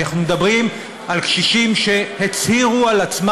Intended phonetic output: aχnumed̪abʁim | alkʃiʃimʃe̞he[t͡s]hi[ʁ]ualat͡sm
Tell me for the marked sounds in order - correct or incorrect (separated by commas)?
correct, correct